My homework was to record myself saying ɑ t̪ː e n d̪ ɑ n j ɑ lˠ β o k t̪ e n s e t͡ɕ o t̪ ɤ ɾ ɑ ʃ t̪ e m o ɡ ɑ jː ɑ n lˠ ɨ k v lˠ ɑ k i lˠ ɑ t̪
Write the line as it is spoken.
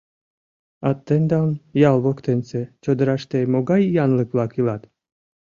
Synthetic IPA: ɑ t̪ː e n d̪ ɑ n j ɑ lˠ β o k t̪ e n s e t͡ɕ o d̪ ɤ ɾ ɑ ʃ t̪ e m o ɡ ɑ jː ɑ n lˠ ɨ k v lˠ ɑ k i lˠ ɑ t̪